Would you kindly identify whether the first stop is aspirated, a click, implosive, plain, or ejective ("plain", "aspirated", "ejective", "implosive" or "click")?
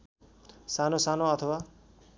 aspirated